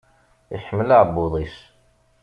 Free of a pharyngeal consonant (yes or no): no